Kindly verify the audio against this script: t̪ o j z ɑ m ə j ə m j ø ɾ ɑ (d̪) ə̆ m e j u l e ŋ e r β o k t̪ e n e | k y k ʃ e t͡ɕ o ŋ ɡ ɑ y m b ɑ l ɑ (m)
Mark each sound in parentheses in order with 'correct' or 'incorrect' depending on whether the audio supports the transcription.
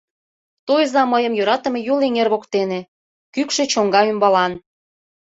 incorrect: t̪, incorrect: n

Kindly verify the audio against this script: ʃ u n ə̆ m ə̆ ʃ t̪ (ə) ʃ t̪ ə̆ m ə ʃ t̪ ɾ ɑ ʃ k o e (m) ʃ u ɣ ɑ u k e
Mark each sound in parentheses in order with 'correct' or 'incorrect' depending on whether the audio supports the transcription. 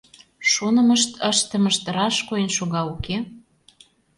correct, incorrect: n

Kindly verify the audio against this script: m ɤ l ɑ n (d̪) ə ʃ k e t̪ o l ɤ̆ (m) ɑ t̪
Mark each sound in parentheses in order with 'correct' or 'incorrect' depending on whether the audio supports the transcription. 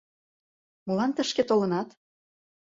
incorrect: t̪, incorrect: n

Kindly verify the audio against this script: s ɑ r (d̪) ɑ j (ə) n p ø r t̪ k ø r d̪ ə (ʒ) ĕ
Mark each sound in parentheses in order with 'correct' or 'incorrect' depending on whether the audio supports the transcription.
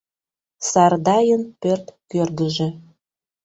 correct, correct, correct

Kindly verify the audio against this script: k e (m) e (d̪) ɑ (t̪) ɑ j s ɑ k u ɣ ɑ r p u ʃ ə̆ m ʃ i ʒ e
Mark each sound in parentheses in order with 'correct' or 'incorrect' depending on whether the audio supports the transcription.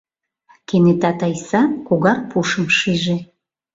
incorrect: n, incorrect: t̪, correct

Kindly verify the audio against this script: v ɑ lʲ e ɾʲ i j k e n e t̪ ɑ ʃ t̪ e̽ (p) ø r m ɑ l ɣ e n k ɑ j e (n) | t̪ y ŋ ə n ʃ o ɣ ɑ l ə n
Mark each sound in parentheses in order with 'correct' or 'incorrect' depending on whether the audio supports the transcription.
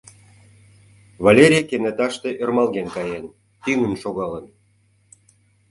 incorrect: ʔ, correct

